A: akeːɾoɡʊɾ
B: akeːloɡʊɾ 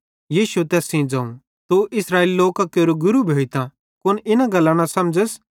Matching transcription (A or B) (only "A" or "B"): A